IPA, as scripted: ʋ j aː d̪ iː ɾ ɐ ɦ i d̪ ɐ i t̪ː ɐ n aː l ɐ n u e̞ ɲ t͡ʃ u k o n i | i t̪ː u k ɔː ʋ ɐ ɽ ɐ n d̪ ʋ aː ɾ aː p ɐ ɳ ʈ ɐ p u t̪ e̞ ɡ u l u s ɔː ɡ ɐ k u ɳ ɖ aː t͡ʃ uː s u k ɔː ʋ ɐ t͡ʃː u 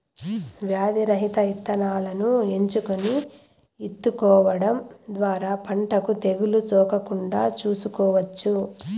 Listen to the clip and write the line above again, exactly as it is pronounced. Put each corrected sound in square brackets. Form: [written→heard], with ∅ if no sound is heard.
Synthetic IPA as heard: ʋ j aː d̪ [iː→i] ɾ ɐ ɦ i [d̪→t̪] ɐ i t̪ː ɐ n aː l ɐ n u e̞ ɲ t͡ʃ u k o n i | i t̪ː u k ɔː ʋ ɐ ɽ ɐ [n→m] d̪ ʋ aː ɾ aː p ɐ ɳ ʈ ɐ [p→k] u t̪ e̞ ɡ u l u s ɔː [ɡ→k] ɐ k u ɳ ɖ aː t͡ʃ uː s u k ɔː ʋ ɐ t͡ʃː u

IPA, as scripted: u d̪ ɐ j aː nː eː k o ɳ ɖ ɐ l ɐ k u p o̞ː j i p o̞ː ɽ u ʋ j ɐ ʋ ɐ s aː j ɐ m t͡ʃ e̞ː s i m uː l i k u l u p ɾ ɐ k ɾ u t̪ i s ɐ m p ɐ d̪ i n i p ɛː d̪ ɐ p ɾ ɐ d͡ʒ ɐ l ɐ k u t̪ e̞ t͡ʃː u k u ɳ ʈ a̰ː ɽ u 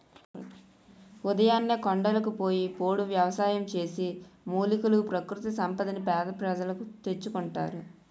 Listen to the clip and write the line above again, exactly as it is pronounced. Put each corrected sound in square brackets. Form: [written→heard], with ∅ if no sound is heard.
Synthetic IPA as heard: u d̪ ɐ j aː nː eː k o ɳ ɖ ɐ l ɐ k u p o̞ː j i p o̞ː ɽ u ʋ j ɐ ʋ ɐ s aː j ɐ m t͡ʃ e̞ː s i m uː l i k u l u p ɾ ɐ k ɾ u t̪ i s ɐ m p ɐ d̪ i n i p ɛː d̪ ɐ p ɾ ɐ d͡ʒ ɐ l ɐ k u t̪ e̞ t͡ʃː u k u ɳ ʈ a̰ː [ɽ→ɾ] u

